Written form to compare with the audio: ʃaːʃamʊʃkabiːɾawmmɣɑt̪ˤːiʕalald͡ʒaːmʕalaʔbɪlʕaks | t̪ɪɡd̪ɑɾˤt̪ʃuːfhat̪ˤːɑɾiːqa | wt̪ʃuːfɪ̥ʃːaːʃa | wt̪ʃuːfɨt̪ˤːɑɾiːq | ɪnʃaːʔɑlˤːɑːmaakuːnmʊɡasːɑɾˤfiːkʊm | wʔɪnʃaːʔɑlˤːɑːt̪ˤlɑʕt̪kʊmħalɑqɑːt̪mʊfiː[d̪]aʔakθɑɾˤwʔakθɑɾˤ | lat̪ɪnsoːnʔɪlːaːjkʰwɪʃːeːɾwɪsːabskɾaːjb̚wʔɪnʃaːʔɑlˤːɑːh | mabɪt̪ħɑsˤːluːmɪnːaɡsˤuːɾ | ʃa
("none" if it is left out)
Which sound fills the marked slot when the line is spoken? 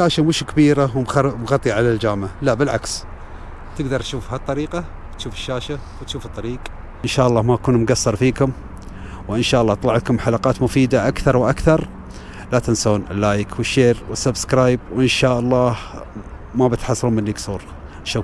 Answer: d̪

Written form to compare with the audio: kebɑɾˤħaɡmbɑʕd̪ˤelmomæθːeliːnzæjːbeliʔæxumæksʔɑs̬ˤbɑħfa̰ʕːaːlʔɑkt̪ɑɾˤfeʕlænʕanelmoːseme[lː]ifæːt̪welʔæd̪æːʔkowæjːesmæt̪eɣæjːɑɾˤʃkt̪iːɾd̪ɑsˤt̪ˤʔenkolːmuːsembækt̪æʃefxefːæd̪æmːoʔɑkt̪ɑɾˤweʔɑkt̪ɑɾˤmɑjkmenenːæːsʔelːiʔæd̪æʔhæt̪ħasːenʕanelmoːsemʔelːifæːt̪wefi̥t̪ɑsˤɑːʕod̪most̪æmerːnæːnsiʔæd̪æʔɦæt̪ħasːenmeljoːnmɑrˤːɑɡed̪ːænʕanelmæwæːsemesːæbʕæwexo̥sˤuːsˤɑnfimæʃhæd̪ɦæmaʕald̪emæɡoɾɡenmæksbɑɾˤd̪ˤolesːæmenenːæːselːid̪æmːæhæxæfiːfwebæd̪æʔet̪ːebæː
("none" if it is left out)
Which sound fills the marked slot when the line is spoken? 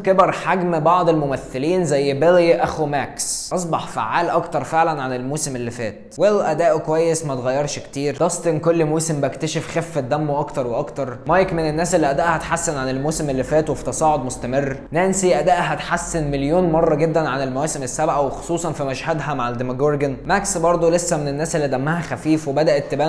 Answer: lː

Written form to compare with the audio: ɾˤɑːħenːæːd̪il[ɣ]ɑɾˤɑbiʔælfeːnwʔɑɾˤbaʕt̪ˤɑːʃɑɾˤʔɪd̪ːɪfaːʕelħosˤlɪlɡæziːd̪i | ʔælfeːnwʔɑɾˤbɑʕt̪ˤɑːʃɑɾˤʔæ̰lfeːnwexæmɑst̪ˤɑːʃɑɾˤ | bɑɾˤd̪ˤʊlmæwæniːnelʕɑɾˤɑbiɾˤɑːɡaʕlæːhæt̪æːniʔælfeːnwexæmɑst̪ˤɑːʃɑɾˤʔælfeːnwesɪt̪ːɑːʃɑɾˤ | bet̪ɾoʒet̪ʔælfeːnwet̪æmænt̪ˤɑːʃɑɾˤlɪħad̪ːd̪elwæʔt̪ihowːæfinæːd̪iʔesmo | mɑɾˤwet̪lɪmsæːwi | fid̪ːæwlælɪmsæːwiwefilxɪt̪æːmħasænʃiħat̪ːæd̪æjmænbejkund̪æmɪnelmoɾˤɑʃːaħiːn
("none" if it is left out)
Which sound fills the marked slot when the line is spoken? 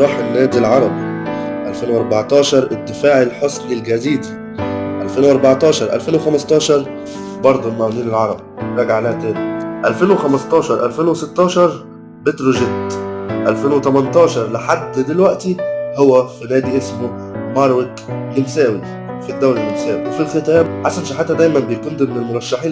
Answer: ʕ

